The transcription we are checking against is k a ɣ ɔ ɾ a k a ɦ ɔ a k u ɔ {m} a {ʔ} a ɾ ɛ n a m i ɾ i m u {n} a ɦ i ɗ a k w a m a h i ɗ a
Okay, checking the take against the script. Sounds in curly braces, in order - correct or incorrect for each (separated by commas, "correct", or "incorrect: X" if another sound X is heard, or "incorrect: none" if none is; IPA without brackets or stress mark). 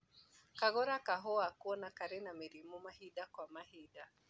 incorrect: n, incorrect: k, incorrect: m